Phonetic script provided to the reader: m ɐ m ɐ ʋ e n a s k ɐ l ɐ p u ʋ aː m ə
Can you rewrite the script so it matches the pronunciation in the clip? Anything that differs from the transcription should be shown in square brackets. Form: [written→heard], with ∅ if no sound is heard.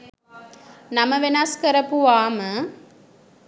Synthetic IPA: [m→n] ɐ m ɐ ʋ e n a s k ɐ [l→ɾ] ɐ p u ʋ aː m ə